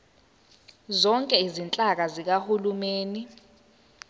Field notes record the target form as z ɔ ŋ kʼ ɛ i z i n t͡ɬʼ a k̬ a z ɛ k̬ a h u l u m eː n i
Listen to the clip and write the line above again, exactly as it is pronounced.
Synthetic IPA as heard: z ɔ ŋ kʼ ɛ i z i n t͡ɬʼ a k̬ a z i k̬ a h u l u m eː n i